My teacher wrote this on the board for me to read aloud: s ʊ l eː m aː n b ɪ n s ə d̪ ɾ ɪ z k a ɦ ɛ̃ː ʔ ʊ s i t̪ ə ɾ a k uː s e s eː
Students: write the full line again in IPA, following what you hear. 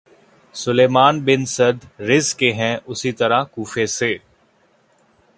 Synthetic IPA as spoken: s ʊ l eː m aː n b ɪ n s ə d̪ ɾ ɪ z k e ɦ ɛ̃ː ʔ ʊ s i t̪ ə ɾ a k uː f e s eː